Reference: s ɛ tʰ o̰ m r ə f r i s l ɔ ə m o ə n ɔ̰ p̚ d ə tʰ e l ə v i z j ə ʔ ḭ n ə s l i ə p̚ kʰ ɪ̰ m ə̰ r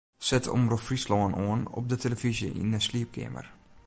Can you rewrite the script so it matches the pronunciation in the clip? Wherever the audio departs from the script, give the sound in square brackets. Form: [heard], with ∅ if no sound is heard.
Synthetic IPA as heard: s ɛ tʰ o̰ m r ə f r i s l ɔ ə [n] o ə n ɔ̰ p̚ d ə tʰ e l ə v i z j ə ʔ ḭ n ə s l i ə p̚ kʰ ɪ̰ m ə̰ r

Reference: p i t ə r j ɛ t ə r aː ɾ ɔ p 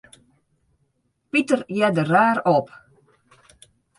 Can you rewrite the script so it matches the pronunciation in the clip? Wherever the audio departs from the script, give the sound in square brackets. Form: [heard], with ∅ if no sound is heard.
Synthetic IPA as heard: p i t ə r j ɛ [d] ə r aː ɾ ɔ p

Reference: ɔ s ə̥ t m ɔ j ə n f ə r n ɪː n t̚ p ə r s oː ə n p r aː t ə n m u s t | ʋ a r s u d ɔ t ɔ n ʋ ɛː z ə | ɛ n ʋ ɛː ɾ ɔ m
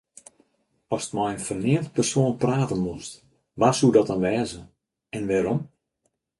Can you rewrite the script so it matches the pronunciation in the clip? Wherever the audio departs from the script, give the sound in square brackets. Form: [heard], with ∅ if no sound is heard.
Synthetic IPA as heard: ɔ s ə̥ t m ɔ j ə n f ə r n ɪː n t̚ p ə r s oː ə n p r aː t ə n m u s t | ʋ a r s u d ɔ t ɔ n ʋ ɛː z ə | ɛ n ʋ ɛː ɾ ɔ m

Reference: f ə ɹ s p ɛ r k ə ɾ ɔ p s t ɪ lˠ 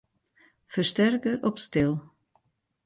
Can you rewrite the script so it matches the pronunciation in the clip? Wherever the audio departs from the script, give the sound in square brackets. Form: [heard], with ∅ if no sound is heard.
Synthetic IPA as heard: f ə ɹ s [t] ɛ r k ə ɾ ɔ p s t ɪ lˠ

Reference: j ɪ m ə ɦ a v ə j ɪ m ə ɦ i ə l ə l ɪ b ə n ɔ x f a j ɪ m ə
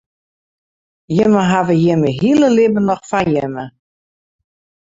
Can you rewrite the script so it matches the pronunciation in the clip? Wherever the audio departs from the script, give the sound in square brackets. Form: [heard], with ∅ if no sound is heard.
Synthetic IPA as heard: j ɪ m ə ɦ a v ə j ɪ m ə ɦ i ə l ə l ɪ b ə n ɔ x f a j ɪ m ə

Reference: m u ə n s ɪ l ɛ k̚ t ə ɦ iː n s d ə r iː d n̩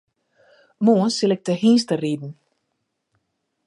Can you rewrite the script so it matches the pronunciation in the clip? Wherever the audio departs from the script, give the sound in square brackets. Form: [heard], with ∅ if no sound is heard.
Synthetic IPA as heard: m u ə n s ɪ l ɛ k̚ t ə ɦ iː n s [t] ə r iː d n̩

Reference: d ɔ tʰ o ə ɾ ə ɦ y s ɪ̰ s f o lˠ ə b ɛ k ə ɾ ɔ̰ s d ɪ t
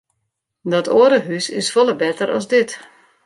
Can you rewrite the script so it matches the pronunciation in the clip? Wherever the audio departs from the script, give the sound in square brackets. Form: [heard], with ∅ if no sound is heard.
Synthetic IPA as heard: d ɔ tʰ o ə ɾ ə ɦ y s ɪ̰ s f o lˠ ə b ɛ [t] ə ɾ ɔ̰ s d ɪ t

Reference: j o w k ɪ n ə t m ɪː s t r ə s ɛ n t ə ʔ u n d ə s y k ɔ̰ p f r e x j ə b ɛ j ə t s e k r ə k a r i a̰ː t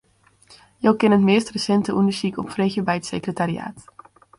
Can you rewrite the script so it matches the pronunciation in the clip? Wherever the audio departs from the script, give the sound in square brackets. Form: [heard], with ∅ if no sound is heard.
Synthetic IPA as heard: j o w k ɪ n ə t m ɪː s t r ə s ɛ n t ə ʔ u n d ə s [i] k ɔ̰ p f r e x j ə b ɛ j ə t s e k r ə [t] a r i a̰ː t

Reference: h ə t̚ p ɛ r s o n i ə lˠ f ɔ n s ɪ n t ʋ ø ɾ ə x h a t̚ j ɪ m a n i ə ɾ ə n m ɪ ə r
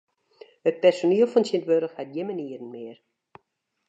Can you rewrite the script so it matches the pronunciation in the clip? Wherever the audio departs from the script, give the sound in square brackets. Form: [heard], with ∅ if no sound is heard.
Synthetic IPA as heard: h ə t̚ p ɛ r s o n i ə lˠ f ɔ n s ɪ n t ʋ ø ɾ ə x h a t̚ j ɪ m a n i ə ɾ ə n m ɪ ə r

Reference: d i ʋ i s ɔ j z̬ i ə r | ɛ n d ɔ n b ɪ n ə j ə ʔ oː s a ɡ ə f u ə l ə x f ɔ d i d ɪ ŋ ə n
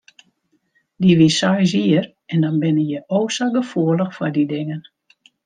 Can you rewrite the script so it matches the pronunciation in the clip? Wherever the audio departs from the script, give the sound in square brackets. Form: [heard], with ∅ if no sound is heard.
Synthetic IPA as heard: d i ʋ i s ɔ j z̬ i ə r | ɛ n d ɔ n b ɪ n ə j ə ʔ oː s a ɡ ə f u ə l ə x f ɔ d i d ɪ ŋ ə n

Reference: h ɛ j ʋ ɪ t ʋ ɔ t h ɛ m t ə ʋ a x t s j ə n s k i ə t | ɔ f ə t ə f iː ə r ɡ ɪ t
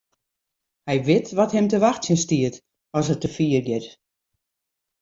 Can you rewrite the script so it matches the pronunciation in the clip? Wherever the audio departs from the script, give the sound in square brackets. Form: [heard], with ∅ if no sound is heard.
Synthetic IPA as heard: h ɛ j ʋ ɪ t ʋ ɔ t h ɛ m t ə ʋ a x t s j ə n s [t] i ə t | ɔ [s] ə t ə f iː ə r ɡ ɪ t

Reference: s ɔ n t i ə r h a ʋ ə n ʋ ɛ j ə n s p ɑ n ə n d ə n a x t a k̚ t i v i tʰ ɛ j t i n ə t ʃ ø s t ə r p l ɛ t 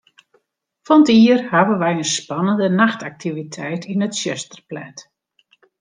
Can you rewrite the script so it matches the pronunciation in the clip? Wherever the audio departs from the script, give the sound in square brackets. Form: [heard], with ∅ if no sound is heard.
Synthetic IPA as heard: [f] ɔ n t i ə r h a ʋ ə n ʋ ɛ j ə n s p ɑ n ə n d ə n a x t a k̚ t i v i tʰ ɛ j t i n ə t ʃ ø s t ə r p l ɛ t

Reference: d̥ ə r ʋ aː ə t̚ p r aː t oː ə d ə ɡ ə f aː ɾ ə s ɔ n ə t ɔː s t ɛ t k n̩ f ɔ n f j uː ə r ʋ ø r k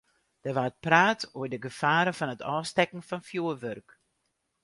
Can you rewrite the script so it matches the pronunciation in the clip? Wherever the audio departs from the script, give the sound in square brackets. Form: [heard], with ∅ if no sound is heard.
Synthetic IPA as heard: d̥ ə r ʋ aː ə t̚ p r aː t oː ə d ə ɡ ə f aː ɾ ə [f] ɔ n ə t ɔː s t ɛ [∅] k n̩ f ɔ n f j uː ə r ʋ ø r k

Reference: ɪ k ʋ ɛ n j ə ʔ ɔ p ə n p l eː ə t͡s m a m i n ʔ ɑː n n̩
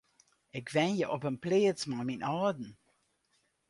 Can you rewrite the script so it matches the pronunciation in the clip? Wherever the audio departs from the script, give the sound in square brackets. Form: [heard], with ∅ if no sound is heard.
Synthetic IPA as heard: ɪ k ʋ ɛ n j ə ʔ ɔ p ə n p l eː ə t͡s m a m i n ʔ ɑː [d] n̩

